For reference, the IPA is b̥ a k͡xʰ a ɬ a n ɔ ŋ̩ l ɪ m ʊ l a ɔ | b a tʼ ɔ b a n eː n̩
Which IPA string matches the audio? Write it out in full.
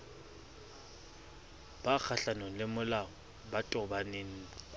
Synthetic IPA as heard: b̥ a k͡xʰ a ɬ a n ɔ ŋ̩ l ɪ m ʊ l a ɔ | b a tʼ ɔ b a n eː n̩